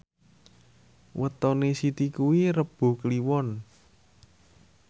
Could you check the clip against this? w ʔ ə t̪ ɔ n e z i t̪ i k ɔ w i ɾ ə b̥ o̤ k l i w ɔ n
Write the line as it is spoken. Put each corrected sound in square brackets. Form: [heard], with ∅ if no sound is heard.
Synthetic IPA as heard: w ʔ ə t̪ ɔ n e [s] i t̪ i k [u] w i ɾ ə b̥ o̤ k l i w ɔ n